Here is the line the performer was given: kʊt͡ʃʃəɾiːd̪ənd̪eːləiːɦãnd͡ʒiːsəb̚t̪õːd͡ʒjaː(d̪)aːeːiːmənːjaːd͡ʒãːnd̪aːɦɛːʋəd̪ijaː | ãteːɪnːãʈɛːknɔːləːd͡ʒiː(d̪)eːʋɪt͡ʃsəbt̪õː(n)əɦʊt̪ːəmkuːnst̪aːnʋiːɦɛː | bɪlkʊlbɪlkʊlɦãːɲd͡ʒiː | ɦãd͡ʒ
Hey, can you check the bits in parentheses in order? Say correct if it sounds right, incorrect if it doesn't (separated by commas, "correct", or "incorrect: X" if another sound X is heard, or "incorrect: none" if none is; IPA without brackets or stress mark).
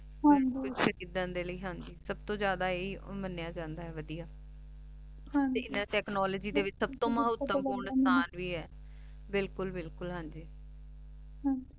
correct, correct, incorrect: m